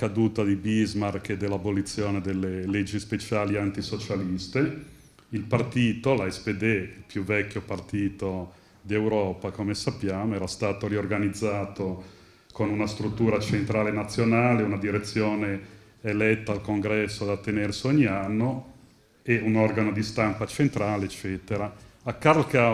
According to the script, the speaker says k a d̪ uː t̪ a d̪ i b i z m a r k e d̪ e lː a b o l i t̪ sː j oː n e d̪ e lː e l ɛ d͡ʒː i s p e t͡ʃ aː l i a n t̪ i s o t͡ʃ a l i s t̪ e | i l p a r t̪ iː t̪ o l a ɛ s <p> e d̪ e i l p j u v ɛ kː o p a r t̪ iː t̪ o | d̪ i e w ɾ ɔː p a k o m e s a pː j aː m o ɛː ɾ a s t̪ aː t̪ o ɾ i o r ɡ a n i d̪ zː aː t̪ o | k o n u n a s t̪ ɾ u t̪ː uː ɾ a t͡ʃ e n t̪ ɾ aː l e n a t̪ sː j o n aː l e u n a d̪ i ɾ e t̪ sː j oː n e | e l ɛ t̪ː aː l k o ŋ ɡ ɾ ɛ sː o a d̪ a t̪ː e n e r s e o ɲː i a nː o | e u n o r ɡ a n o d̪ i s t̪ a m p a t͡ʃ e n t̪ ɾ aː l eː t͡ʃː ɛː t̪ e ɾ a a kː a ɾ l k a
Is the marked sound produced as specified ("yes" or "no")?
yes